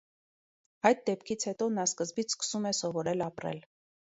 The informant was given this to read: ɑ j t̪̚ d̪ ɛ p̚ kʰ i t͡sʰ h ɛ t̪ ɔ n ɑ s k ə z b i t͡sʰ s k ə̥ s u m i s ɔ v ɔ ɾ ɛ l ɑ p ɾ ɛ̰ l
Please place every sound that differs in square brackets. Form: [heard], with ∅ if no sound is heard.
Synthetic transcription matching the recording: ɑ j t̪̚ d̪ ɛ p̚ kʰ i t͡sʰ h ɛ t̪ ɔ n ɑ s k ə z b i t͡sʰ s k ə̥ s u m [ɛ] s ɔ v ɔ ɾ ɛ l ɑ p ɾ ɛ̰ l